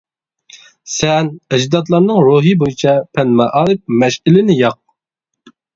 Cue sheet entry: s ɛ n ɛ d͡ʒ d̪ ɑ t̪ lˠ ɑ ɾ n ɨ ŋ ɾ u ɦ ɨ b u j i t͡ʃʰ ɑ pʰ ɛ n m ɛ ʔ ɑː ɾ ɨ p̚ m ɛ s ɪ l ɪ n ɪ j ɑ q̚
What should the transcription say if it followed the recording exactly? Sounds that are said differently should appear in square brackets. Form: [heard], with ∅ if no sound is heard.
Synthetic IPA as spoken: s ɛ n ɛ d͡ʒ d̪ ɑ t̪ lˠ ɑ ɾ n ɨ ŋ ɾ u ɦ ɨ b [o] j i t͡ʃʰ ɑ pʰ ɛ n m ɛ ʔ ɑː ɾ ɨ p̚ m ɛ [ʃ] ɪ l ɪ n ɪ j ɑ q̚